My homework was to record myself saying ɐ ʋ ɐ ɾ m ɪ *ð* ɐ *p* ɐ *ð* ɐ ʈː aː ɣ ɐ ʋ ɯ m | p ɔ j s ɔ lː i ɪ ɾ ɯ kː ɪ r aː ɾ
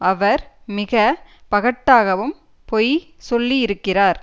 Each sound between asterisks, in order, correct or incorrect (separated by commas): incorrect, correct, incorrect